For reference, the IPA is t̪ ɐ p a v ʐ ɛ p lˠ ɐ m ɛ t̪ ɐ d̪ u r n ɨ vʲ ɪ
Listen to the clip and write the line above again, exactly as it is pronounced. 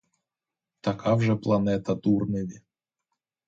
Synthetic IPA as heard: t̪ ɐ k a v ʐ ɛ p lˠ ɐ n ɛ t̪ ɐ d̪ u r n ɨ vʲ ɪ